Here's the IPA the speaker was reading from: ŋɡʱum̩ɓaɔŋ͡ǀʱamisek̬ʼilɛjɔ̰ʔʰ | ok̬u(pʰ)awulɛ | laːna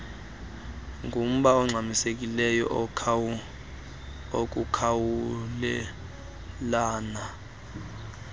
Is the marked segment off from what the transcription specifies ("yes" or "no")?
yes